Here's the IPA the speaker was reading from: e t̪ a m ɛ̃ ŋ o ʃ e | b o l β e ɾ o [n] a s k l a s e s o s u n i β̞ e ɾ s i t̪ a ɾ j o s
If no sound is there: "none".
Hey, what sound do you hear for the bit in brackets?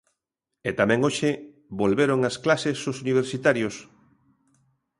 ŋ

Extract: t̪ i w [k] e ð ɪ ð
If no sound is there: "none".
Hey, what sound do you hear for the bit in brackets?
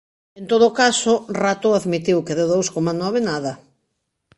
k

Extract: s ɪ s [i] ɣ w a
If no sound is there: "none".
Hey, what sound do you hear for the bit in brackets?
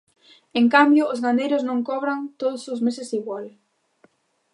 i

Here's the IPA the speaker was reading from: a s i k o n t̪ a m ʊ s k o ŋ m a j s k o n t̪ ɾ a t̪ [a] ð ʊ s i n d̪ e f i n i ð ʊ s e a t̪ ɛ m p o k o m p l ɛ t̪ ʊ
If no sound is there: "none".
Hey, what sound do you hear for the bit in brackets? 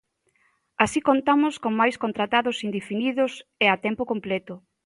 a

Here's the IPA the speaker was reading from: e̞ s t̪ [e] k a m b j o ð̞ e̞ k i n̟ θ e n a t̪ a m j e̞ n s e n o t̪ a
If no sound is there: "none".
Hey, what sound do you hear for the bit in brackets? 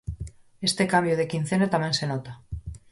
e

